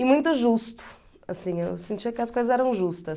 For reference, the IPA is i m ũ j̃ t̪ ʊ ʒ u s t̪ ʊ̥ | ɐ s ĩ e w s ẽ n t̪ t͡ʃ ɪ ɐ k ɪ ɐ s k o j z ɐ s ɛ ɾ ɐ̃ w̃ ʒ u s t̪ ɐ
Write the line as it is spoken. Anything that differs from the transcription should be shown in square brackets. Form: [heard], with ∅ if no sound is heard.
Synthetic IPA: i m ũ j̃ t̪ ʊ ʒ u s t̪ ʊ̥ | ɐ s ĩ e w s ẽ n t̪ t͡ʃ [i] ɐ k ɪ ɐ s k o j z ɐ [z] ɛ ɾ ɐ̃ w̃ ʒ u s t̪ ɐ